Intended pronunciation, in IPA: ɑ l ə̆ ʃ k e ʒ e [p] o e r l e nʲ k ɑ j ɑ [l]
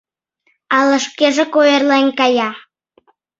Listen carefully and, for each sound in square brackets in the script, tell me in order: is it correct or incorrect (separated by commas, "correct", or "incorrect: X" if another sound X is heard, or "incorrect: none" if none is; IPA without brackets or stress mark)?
incorrect: k, incorrect: none